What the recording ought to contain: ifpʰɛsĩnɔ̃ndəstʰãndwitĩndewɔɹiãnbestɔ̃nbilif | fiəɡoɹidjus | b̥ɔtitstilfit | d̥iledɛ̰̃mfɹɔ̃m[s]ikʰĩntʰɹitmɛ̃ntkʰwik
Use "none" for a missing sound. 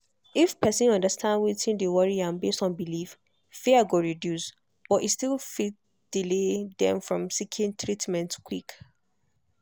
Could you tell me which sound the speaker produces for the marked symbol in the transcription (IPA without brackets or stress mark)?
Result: s